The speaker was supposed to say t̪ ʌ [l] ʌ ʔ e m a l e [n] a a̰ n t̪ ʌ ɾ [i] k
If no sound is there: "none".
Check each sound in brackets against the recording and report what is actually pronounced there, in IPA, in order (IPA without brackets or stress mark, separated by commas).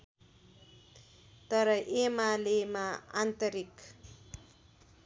ɾ, m, i